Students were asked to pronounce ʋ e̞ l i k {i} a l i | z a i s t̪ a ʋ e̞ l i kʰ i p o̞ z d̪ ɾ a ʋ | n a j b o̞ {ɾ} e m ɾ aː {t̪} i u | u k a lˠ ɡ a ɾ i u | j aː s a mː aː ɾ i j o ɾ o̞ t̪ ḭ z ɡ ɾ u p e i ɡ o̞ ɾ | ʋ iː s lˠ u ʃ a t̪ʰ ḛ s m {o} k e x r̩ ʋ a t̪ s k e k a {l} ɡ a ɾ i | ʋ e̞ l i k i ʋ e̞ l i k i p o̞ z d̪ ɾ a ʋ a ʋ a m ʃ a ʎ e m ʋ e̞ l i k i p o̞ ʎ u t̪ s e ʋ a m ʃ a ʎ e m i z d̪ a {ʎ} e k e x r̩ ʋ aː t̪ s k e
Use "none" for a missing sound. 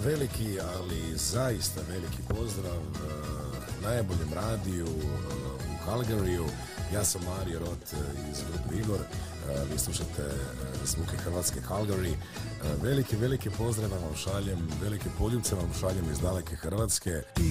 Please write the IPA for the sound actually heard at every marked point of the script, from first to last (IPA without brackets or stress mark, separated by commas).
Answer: i, ʎ, d̪, u, l, l